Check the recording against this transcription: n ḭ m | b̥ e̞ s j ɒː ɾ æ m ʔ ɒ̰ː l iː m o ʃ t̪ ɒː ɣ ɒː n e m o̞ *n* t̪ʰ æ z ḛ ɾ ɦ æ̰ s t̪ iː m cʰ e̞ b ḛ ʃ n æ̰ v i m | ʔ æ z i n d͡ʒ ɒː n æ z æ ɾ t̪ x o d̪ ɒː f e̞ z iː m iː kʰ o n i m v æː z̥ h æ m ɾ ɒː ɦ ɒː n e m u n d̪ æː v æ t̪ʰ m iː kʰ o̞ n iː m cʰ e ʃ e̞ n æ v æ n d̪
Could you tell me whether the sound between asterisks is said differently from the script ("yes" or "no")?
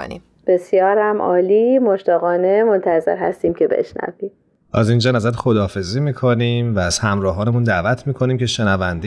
no